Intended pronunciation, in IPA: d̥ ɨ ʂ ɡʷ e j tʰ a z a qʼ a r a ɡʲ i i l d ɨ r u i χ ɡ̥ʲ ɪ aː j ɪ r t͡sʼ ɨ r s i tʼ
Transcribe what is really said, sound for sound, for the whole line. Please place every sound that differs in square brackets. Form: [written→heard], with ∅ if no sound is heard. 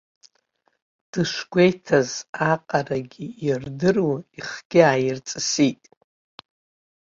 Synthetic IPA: d̥ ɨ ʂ ɡʷ e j tʰ a z a qʼ a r a ɡʲ i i [l→r] d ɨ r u i χ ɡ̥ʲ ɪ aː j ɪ r t͡sʼ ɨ [r→∅] s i tʼ